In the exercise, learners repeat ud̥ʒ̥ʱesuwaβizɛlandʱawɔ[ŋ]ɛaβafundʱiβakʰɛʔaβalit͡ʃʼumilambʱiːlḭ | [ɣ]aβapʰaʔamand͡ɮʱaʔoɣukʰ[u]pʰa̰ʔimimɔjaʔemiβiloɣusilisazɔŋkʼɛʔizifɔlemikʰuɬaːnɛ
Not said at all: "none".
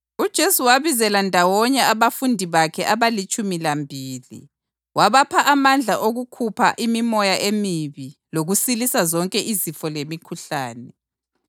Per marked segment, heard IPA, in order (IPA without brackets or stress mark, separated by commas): ɲ, w, u